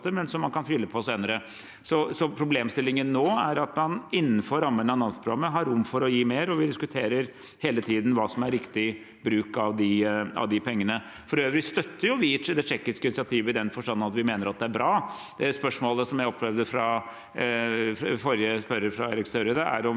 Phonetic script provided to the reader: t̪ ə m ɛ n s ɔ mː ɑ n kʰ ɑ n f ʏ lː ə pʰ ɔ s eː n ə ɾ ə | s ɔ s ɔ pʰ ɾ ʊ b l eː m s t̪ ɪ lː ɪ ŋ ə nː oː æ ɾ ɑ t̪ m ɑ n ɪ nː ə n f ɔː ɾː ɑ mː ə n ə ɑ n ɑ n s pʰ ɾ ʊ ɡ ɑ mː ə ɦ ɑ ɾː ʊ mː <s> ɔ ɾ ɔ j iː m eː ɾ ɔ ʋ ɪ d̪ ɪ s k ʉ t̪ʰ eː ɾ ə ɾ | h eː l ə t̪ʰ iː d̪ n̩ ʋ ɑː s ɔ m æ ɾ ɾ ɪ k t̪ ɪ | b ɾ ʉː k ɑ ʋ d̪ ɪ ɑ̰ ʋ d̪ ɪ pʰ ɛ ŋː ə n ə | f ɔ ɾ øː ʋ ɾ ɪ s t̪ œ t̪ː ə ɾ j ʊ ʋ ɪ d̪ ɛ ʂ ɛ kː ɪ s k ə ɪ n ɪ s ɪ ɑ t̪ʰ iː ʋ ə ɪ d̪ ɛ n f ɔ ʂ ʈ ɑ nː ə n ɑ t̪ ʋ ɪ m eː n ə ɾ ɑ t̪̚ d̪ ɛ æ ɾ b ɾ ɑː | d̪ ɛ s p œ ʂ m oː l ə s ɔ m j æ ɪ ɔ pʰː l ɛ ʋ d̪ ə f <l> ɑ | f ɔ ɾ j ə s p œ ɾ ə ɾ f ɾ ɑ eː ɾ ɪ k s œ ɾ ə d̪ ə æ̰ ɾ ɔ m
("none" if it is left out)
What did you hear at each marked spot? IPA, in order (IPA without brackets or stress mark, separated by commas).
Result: f, ɾ